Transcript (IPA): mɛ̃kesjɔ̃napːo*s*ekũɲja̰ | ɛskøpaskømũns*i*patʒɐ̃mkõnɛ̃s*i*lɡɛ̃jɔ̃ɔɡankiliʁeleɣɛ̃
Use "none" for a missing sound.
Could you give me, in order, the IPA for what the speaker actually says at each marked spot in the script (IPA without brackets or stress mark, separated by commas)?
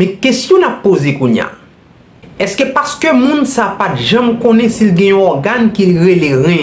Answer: z, a, i